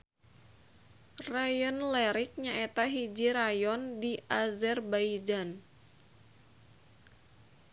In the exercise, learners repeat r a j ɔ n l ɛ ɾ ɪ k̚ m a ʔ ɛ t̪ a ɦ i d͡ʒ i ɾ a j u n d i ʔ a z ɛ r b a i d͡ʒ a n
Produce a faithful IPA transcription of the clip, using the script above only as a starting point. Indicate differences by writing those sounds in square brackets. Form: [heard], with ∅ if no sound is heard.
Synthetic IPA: r a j ɔ n l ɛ ɾ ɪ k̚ [ɲ] a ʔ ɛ t̪ a ɦ i d͡ʒ i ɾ a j [ɔ] n d i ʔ a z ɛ r b a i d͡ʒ a n